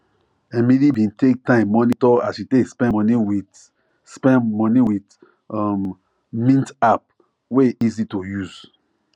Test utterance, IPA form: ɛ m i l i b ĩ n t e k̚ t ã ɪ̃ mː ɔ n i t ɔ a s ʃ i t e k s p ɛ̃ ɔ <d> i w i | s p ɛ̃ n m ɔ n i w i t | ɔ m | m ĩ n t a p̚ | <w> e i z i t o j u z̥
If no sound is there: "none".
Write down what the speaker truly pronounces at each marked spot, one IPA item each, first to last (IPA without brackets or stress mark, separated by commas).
n, w